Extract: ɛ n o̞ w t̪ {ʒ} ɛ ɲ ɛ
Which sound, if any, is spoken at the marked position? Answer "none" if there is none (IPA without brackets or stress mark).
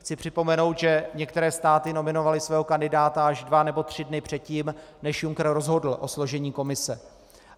ʒ